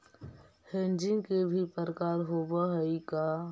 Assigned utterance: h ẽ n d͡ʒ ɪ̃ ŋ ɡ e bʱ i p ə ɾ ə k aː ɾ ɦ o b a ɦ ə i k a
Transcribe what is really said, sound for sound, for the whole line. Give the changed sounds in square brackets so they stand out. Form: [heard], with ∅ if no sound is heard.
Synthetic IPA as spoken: h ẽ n d͡ʒ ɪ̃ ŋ [k] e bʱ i p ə ɾ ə k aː ɾ ɦ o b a ɦ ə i k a